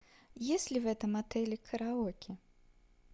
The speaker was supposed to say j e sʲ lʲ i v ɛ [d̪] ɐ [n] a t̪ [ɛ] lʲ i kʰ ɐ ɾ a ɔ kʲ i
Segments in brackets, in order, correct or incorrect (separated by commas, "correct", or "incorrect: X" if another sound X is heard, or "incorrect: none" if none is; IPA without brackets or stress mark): incorrect: t̪, incorrect: m, correct